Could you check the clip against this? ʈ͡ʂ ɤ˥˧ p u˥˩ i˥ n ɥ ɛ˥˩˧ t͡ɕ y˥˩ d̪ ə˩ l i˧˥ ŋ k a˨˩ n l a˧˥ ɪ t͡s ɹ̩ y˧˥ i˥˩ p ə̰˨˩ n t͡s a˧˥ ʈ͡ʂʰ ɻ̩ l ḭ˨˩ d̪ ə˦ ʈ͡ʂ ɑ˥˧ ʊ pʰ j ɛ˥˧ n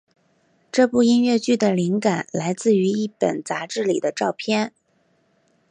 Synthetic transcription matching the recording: ʈ͡ʂ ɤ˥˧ p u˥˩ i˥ n ɥ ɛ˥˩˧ t͡ɕ y˥˩ d̪ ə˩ l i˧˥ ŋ k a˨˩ n l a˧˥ ɪ t͡s ɹ̩ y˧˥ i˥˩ p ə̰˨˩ n t͡s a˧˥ ʈ͡ʂ ɻ̩ l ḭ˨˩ d̪ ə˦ ʈ͡ʂ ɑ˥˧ ʊ pʰ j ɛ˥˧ n